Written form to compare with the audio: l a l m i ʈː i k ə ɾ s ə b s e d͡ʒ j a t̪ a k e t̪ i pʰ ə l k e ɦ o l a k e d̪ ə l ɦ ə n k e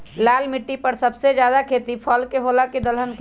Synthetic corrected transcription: l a l m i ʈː i p ə ɾ s ə b s e d͡ʒ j a d̪ a kʰ e t̪ i pʰ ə l k e ɦ o l a k e d̪ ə l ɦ ə n k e